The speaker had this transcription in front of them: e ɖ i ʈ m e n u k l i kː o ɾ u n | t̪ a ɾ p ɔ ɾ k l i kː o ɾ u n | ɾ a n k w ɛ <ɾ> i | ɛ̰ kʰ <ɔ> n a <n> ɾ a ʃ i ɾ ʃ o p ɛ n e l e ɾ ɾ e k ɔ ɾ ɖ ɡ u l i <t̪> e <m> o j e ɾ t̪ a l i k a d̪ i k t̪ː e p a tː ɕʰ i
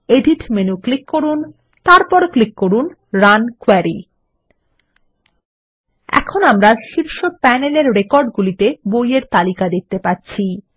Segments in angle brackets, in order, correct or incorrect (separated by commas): correct, incorrect, incorrect, correct, incorrect